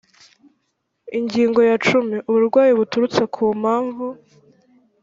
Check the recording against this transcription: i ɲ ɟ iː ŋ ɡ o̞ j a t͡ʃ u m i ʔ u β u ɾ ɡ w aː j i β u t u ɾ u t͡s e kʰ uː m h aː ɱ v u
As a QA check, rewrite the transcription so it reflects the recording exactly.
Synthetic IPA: i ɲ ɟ iː ŋ ɡ o̞ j a t͡ʃ u m i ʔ u β u ɾ ɡ w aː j i β u t u ɾ u t͡s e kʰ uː m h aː ɱ v u